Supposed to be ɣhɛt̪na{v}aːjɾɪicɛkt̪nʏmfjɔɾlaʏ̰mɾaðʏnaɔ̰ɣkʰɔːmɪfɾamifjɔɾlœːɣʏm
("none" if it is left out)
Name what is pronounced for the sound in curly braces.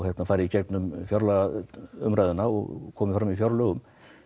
f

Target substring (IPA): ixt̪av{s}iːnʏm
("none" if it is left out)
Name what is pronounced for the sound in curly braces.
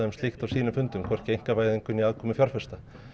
s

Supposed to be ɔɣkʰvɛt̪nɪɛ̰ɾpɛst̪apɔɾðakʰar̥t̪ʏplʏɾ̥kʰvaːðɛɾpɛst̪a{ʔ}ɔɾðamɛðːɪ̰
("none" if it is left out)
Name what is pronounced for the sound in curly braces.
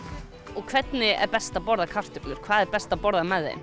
p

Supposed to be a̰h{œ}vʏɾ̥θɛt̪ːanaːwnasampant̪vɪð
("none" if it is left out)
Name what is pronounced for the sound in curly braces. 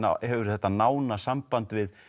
ɛ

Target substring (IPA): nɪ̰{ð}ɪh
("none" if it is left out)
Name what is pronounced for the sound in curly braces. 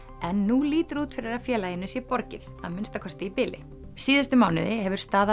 ð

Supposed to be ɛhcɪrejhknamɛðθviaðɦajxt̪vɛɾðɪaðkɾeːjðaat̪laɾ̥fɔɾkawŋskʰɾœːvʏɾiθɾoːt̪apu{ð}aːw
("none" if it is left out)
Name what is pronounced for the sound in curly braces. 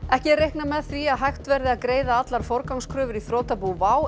v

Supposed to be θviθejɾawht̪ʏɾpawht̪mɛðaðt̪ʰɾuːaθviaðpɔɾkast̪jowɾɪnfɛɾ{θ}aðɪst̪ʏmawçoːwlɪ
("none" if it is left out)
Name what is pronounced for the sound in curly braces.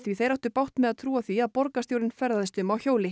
ð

